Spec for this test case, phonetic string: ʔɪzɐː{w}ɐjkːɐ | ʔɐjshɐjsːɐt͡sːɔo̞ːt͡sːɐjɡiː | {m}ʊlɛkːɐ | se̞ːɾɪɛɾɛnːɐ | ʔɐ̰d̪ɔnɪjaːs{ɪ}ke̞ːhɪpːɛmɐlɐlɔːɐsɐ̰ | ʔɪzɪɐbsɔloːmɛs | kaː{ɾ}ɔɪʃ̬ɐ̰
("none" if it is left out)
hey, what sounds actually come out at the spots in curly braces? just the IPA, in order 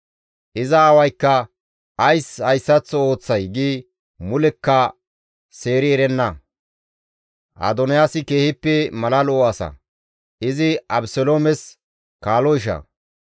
w, m, ɪ, l

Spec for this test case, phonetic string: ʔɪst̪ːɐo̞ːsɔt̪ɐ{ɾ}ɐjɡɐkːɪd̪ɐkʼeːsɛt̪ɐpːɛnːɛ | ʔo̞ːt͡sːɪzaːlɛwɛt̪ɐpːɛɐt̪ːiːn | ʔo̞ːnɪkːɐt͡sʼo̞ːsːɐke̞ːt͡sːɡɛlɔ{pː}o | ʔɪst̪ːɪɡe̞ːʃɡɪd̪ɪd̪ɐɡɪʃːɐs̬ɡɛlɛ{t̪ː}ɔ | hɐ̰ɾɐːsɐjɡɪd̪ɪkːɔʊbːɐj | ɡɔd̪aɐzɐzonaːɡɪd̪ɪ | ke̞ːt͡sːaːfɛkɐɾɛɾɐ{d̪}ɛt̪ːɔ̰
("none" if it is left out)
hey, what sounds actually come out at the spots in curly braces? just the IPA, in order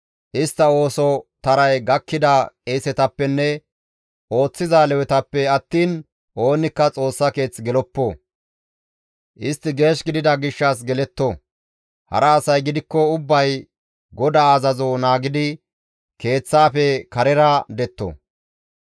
ɾ, pː, t̪ː, d̪

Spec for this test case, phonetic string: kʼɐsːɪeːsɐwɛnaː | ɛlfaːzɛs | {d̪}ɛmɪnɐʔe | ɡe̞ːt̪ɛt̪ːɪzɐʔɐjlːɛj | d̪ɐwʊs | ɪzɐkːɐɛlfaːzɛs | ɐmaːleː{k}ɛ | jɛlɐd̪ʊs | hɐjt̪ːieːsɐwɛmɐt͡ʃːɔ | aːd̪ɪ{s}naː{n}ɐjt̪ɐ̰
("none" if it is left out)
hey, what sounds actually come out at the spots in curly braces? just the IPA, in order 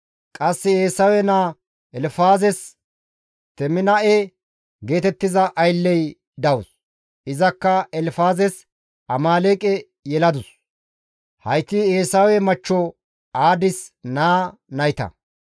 t̪, kʼ, s, n

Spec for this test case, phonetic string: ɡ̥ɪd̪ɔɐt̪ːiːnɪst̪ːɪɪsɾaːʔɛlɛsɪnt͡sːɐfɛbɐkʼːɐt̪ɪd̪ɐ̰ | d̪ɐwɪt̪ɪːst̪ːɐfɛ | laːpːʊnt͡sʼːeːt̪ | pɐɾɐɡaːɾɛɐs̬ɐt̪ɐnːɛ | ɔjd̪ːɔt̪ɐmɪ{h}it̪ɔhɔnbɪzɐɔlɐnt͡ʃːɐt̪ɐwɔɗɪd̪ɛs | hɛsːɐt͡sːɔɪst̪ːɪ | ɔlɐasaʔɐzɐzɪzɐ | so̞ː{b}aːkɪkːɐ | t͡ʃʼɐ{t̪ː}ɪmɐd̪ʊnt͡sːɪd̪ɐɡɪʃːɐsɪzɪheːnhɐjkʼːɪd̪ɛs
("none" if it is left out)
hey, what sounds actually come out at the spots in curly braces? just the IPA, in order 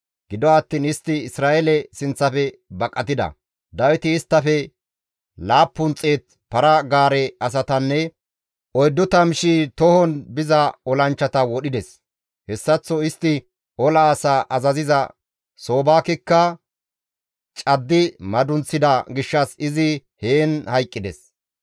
ʃ, b, d̪ː

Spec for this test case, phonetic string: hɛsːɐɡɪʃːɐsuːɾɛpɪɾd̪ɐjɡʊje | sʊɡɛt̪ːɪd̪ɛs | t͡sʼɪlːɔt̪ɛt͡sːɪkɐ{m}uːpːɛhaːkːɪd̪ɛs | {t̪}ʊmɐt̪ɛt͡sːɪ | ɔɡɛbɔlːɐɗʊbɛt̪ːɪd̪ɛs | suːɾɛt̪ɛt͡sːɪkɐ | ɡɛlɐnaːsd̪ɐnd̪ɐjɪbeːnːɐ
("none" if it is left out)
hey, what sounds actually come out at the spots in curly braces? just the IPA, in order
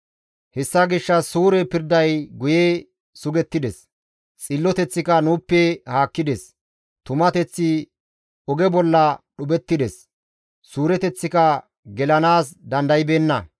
n, t̪

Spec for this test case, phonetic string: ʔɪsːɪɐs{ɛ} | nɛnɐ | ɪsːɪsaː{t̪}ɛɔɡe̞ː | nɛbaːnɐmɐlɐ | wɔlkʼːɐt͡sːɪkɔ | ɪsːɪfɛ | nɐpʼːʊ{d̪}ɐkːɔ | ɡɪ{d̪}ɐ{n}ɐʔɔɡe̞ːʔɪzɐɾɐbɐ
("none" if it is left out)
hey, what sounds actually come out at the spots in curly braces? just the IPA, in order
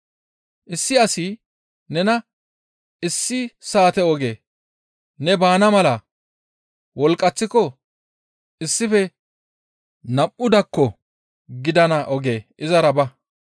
i, t̪, d̪, d̪, n

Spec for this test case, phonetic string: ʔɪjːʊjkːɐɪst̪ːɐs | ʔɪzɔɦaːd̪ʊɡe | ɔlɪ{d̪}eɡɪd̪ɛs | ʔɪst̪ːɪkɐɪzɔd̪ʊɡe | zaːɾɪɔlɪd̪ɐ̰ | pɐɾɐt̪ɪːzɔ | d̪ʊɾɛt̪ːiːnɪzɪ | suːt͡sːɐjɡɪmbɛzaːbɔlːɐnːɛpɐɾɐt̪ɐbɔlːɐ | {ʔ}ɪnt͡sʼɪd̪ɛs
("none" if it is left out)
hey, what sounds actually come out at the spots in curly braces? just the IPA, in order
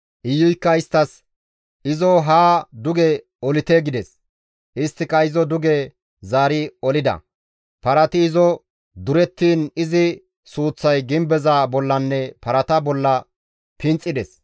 t̪, p

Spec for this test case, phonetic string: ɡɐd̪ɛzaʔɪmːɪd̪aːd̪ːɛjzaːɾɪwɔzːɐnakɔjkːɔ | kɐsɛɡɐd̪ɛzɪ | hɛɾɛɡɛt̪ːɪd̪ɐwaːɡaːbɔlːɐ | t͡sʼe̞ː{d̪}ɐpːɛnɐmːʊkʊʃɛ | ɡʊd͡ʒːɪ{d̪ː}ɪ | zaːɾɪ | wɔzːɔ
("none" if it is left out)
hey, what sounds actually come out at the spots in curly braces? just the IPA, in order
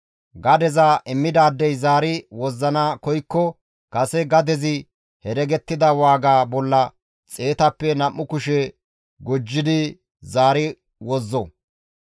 t̪, d̪

